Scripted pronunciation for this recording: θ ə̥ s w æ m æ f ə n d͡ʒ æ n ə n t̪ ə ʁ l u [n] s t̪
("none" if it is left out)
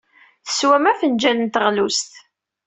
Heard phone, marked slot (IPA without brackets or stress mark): none